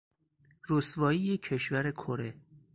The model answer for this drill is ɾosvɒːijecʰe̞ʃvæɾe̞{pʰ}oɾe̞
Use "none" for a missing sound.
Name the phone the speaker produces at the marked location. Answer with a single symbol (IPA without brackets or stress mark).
kʰ